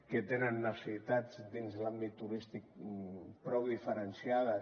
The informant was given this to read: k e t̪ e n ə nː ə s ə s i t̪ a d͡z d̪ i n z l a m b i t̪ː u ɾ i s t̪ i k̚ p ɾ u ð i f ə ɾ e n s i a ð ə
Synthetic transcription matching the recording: k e t̪ e n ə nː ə s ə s i t̪ a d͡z d̪ i n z l a m b i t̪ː u ɾ i s t̪ i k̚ p ɾ ɔ ð i f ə ɾ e n s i a ð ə